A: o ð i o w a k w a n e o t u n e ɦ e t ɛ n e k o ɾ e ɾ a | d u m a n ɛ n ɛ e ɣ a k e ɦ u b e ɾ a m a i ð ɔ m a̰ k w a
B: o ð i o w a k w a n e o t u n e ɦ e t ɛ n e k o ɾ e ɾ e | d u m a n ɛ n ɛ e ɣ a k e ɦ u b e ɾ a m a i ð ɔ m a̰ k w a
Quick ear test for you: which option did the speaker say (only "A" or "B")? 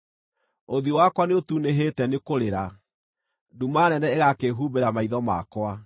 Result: A